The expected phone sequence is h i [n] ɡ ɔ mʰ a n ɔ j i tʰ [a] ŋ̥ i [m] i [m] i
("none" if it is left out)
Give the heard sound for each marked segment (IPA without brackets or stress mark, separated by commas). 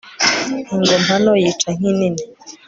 ŋ, a, n, n